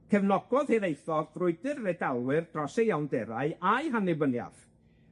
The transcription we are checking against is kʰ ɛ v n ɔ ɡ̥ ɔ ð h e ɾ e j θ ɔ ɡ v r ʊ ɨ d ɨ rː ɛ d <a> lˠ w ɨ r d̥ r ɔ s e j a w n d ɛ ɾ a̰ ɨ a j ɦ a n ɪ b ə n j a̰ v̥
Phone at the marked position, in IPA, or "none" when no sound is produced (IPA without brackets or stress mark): a